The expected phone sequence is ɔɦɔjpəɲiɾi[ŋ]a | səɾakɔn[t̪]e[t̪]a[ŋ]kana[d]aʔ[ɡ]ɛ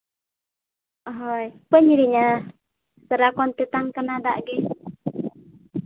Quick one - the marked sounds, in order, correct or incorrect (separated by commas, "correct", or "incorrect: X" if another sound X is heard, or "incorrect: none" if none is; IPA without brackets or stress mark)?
incorrect: ɲ, correct, correct, correct, correct, correct